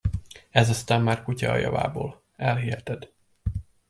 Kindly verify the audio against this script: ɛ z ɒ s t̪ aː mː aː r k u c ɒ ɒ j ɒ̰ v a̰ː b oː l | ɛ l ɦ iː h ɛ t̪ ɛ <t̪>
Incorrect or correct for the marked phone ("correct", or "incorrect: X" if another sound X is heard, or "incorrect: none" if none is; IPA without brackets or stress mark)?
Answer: incorrect: d̪